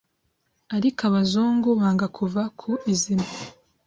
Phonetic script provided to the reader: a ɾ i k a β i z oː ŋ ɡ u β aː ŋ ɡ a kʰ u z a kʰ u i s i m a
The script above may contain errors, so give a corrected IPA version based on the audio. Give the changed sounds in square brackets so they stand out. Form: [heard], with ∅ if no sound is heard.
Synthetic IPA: a ɾ i k a β [a] z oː ŋ ɡ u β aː ŋ ɡ a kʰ u [v] a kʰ u i [z] i m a